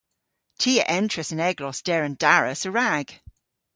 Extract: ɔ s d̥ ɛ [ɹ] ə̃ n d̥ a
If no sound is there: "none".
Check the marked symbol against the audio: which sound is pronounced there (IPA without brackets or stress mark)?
ɹ